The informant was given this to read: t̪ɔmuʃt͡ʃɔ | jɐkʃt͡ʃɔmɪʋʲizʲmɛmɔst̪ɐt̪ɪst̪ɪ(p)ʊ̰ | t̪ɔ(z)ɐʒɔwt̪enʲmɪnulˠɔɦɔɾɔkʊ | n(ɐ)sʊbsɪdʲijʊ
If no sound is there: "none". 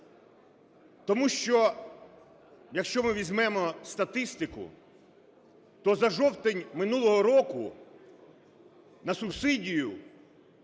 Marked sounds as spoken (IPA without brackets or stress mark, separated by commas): k, z, ɐ